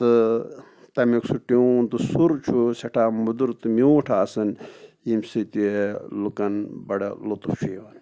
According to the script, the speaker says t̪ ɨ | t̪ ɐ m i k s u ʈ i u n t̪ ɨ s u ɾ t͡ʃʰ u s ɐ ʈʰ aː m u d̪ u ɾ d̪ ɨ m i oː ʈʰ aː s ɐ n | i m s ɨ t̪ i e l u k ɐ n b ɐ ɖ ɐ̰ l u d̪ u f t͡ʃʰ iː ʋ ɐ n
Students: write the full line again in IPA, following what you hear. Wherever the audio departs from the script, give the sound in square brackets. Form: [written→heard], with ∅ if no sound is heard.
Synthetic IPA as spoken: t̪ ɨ | t̪ ɐ m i k s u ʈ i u n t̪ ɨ s u ɾ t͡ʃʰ u s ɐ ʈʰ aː m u d̪ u ɾ [d̪→t̪] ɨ m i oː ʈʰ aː s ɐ n | i m s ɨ t̪ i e l u k ɐ n b ɐ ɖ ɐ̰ l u [d̪→t̪] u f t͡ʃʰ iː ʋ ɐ n